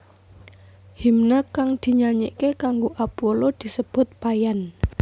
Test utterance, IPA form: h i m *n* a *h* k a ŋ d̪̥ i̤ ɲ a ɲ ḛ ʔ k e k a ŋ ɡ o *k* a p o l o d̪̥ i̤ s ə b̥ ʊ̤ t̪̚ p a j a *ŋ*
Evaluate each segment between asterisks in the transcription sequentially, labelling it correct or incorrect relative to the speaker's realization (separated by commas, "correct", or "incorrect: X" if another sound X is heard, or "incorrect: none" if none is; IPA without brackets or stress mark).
correct, incorrect: none, incorrect: ʔ, incorrect: n